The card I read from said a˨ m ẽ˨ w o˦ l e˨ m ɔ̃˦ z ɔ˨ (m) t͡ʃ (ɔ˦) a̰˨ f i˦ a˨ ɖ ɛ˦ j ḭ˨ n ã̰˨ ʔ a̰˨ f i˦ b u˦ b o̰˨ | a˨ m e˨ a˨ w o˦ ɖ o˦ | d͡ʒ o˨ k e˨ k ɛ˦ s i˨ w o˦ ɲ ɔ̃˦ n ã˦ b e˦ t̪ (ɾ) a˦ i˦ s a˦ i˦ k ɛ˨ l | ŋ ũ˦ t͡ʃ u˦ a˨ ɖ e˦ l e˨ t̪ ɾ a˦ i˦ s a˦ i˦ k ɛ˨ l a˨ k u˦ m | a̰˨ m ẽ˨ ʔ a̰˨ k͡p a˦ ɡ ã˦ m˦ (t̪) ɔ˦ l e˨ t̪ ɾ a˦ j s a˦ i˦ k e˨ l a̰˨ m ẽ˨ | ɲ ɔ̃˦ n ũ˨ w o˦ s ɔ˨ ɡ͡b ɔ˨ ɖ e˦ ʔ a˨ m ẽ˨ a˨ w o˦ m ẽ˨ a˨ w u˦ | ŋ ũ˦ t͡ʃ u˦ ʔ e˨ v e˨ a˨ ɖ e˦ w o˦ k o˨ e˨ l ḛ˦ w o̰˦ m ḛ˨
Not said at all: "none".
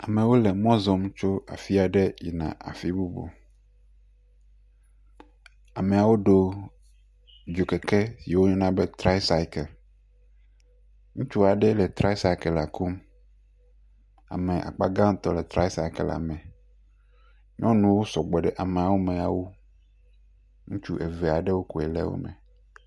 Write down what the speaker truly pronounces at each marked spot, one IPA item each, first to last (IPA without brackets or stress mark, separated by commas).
m, o˦, ɾ, t̪